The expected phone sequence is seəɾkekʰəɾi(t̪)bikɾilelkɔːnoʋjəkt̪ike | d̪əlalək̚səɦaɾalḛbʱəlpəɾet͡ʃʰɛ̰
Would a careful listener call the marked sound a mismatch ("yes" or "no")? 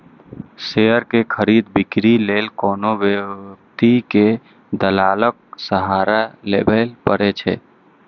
yes